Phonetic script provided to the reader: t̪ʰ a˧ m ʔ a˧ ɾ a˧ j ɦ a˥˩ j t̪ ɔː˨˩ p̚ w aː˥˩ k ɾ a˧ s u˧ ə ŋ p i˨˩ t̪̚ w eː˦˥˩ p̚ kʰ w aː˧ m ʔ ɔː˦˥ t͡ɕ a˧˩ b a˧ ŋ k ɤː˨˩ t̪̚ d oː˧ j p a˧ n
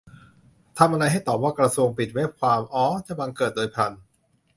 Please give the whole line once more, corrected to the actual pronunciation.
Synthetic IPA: t̪ʰ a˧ m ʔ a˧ ɾ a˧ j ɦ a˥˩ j t̪ ɔː˨˩ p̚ w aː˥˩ k ɾ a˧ s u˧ ə ŋ p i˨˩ t̪̚ w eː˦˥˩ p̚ kʰ w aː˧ m ʔ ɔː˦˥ t͡ɕ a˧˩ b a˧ ŋ k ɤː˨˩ t̪̚ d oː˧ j pʰ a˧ n